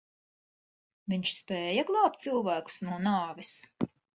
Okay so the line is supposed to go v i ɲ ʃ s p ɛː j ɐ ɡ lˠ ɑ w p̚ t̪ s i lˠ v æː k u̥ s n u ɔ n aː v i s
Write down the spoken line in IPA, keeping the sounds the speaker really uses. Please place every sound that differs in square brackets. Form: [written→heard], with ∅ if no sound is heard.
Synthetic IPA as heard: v i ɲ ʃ s p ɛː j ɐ ɡ lˠ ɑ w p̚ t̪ s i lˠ v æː k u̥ s n u ɔ n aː v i s